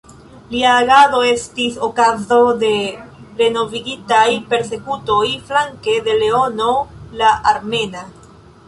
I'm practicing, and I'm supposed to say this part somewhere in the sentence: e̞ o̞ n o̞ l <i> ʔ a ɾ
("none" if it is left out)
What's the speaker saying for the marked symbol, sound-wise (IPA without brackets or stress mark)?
a